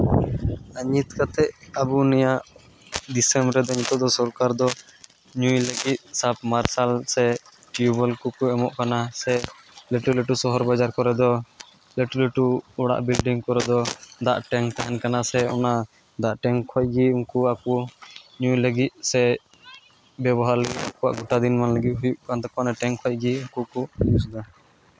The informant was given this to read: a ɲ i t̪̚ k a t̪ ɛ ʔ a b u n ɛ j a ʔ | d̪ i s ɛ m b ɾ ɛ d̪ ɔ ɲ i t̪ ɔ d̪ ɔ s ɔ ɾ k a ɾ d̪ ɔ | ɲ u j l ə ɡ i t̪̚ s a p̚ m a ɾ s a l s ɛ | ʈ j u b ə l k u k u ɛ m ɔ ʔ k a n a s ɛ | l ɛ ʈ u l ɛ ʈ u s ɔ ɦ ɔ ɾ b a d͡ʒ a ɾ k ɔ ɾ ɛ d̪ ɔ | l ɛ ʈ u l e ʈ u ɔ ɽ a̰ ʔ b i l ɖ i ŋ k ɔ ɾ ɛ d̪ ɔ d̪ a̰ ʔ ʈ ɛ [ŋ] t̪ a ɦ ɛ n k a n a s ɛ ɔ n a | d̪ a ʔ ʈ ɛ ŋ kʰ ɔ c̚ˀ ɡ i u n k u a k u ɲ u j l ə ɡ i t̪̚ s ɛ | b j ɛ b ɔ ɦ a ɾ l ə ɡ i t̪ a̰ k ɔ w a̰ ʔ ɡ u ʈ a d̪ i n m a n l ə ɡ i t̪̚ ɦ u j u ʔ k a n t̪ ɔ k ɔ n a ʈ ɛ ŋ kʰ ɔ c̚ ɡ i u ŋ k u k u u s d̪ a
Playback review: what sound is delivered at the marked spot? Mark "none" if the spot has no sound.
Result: ŋ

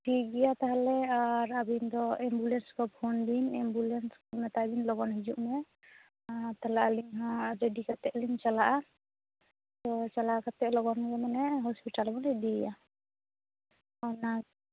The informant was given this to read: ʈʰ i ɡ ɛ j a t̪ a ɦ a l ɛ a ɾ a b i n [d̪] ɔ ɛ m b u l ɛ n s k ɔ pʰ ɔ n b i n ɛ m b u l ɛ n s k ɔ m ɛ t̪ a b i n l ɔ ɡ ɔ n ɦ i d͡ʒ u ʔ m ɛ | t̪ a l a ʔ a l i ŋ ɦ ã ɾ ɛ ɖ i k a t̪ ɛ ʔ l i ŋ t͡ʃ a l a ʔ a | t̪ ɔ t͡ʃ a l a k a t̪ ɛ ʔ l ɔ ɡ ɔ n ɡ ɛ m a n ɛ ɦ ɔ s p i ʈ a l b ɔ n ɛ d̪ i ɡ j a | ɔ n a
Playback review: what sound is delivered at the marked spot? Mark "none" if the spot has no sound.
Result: d̪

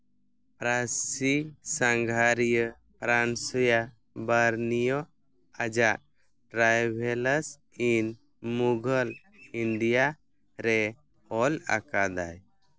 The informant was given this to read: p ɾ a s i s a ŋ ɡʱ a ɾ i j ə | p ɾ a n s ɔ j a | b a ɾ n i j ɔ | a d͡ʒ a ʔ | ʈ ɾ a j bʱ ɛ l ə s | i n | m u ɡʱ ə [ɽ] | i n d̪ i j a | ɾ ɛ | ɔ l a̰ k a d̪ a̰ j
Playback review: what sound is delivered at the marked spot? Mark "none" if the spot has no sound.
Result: l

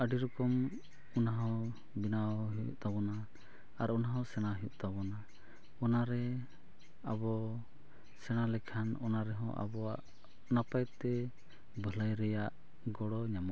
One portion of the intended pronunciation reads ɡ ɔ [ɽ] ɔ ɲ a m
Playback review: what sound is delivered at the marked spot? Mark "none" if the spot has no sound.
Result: ɽ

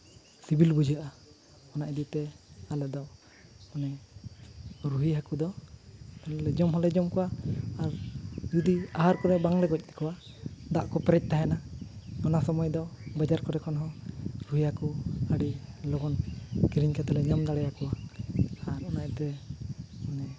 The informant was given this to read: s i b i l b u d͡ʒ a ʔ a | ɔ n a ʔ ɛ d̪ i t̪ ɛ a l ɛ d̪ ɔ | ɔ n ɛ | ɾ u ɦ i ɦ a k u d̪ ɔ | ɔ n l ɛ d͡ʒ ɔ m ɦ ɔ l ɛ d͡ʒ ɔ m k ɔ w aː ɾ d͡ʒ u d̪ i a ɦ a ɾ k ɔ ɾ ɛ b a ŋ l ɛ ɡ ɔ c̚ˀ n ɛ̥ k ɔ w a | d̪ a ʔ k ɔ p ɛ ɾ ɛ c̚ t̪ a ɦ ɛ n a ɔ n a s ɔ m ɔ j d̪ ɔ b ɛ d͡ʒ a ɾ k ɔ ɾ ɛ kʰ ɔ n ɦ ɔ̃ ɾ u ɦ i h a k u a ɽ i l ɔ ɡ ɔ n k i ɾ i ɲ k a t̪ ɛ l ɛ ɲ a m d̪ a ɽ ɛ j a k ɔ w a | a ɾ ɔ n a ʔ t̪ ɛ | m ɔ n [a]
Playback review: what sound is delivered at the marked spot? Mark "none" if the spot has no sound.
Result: ɛ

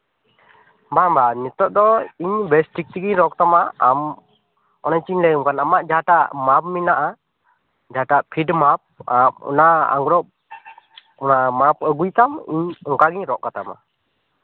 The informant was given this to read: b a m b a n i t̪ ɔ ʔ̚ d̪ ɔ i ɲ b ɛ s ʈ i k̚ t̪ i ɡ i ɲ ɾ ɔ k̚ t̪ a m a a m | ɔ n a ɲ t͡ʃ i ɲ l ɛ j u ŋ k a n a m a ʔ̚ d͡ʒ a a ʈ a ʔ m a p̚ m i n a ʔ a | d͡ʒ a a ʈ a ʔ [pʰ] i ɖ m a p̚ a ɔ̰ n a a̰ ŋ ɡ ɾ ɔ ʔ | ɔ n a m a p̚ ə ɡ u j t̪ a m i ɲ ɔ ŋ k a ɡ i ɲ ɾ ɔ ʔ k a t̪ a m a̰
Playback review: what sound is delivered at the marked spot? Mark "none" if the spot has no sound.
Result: pʰ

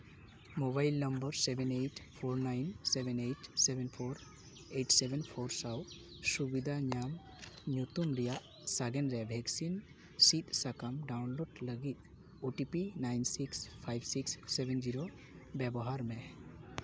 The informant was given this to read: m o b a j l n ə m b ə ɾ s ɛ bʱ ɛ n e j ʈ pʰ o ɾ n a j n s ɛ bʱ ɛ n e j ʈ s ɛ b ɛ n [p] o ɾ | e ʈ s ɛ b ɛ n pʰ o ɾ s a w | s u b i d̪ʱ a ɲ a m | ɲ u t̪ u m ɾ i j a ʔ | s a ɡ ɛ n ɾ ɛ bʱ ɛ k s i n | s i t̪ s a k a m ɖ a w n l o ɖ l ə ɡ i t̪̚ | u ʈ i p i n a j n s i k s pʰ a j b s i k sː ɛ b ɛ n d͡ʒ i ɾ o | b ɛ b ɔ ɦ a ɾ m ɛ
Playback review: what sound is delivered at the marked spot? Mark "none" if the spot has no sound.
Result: pʰ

